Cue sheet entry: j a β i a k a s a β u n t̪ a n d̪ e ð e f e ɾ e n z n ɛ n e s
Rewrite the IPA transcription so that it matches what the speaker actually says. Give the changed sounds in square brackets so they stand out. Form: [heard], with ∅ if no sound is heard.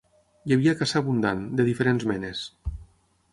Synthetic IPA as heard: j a β i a k a s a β u n [d̪] a n d̪ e ð [i] f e ɾ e n z [m] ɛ n e s